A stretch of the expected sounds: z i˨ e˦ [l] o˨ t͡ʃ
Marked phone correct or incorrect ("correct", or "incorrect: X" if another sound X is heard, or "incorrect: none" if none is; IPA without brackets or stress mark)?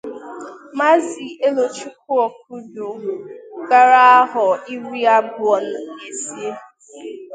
correct